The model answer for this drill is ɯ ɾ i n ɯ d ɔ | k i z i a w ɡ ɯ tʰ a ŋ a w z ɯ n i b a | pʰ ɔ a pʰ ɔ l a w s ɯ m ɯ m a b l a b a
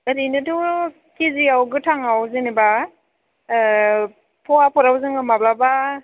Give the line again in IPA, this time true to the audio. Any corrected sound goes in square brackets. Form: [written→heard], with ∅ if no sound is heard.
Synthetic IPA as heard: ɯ ɾ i n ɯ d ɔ | k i z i a w ɡ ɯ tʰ a ŋ a w z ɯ n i b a | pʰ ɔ a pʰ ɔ [l→ɾ] a w [s→z] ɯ [m→ŋ] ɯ m a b l a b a